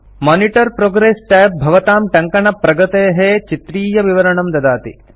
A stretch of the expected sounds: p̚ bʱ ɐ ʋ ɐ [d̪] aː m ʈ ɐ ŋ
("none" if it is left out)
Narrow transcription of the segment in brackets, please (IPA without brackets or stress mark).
t̪